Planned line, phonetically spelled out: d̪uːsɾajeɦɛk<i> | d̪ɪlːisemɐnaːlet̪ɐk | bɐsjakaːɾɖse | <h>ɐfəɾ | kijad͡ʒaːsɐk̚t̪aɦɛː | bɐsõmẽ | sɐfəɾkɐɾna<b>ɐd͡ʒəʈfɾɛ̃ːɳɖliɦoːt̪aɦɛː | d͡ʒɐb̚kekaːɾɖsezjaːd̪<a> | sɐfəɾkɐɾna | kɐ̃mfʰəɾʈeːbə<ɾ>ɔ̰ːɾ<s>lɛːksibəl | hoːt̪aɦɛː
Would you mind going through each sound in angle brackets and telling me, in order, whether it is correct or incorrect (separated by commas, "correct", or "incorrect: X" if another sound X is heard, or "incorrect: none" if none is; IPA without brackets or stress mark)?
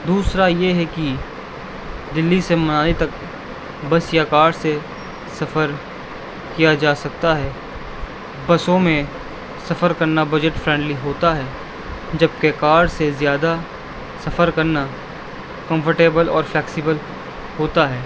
correct, incorrect: s, correct, correct, incorrect: l, incorrect: f